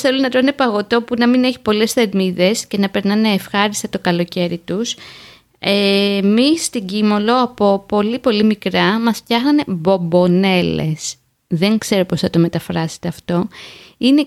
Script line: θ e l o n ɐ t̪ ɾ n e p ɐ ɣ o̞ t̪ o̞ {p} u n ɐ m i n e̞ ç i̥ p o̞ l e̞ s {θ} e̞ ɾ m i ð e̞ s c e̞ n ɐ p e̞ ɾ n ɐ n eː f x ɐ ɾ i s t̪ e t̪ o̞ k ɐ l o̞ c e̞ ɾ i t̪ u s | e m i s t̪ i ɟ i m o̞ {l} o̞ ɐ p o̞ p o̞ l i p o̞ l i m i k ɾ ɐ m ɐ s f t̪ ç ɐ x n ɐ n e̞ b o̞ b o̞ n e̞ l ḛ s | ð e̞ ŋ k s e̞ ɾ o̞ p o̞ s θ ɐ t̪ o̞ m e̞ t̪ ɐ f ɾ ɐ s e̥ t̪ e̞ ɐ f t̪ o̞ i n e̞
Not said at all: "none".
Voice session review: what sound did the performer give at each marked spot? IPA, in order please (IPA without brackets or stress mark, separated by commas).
p, θ, l